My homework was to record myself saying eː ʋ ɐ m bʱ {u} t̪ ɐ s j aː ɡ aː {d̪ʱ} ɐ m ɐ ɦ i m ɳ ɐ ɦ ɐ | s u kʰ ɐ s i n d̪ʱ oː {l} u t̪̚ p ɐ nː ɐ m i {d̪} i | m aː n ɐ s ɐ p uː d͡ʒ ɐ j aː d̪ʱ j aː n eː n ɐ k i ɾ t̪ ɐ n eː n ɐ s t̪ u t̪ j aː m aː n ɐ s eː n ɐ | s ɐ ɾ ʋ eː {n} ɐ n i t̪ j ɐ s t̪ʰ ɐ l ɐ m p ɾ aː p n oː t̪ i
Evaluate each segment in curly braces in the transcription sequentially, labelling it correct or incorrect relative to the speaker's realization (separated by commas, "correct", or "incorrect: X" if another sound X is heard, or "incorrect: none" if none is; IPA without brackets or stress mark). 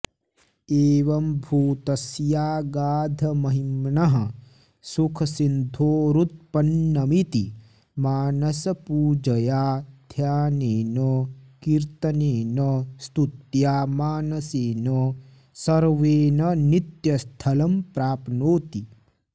incorrect: uː, correct, incorrect: ɾ, incorrect: t̪, correct